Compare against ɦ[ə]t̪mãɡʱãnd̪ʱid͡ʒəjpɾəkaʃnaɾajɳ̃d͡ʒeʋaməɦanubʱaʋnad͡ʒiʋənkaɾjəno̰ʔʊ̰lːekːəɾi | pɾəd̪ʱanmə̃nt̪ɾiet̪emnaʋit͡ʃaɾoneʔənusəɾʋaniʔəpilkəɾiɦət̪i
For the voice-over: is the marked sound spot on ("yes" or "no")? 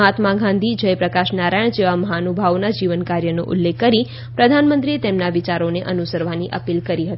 no